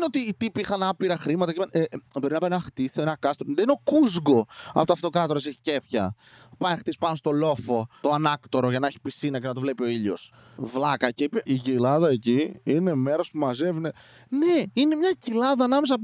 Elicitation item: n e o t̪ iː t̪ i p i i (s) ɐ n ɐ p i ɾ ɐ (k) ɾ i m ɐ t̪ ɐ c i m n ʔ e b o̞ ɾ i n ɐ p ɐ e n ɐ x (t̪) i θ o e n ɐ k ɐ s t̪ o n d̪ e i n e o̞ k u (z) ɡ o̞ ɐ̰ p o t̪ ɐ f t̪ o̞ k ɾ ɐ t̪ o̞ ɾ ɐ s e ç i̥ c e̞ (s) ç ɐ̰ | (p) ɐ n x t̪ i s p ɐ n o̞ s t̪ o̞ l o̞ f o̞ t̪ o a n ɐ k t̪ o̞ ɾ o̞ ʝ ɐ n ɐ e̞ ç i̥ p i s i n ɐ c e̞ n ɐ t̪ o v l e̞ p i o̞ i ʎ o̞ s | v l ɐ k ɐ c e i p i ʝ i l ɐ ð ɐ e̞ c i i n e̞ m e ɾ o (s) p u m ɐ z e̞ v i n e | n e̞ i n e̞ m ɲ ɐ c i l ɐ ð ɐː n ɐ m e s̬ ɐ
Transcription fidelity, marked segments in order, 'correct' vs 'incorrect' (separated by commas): incorrect, incorrect, correct, correct, incorrect, correct, correct